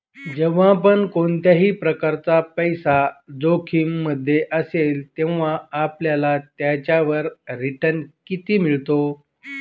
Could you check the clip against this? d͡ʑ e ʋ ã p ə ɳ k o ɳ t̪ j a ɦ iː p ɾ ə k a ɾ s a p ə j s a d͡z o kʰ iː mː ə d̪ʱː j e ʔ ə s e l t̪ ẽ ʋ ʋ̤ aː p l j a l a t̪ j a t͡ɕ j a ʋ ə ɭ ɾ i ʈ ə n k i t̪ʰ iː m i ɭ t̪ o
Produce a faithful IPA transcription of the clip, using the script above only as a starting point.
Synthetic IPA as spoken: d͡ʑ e ʋ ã p ə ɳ k o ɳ t̪ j a ɦ iː p ɾ ə k a ɾ t͡s a p ə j s a d͡z o kʰ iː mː ə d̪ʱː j e ʔ ə s e l t̪ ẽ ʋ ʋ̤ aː p l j a l a t̪ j a t͡ɕ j a ʋ ə ɾ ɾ i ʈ ə n k i t̪ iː m i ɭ t̪ o